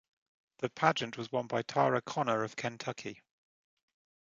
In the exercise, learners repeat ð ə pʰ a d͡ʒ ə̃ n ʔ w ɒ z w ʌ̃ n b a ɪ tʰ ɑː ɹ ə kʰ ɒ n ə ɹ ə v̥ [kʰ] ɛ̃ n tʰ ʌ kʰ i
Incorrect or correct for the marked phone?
correct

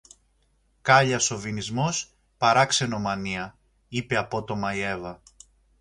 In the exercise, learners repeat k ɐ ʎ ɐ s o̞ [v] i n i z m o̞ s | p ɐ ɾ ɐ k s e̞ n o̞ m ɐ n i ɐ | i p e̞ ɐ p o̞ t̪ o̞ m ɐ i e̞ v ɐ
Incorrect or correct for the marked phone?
correct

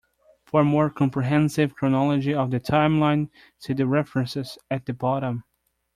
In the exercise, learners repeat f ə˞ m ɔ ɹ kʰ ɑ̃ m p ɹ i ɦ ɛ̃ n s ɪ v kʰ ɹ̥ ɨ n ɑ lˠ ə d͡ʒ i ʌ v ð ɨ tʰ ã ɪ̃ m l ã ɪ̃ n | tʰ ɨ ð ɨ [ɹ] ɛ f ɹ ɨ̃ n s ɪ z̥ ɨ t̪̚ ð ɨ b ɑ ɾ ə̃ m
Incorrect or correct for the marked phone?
correct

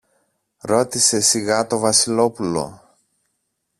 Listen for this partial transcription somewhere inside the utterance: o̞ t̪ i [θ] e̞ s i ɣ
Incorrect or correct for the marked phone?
incorrect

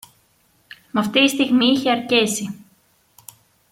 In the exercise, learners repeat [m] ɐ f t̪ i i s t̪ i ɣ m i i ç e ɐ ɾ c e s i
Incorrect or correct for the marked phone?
correct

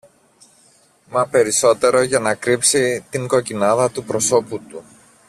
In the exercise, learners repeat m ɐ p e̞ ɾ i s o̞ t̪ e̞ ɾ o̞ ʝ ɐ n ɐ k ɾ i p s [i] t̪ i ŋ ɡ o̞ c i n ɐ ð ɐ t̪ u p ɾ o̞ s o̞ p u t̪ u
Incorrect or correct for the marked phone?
correct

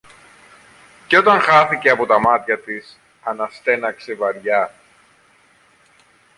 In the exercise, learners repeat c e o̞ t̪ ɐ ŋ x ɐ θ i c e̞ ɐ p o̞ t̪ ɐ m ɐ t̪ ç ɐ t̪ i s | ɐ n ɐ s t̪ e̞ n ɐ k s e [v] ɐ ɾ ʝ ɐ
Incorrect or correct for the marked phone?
correct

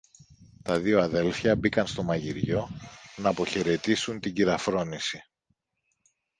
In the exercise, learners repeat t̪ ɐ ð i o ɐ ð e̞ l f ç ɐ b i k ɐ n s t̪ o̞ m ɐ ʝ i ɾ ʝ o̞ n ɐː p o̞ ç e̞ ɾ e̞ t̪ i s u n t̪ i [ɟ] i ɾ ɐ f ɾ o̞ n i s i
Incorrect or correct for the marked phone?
correct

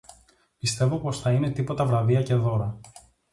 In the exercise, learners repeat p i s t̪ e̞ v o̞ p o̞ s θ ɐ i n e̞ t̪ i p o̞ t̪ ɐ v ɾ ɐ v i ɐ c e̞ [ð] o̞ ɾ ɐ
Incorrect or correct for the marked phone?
correct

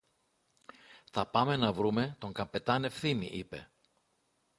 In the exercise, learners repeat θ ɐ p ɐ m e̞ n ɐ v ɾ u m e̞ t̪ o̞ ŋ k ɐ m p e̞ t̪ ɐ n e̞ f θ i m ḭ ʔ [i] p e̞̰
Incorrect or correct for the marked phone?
correct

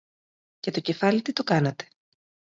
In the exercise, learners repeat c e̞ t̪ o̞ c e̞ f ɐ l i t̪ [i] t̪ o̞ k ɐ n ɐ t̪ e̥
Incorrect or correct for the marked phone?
correct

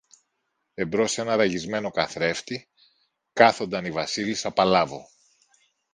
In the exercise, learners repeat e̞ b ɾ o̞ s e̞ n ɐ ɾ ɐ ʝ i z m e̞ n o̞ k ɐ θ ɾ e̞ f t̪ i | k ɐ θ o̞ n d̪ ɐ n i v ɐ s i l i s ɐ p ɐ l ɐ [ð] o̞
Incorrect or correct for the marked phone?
incorrect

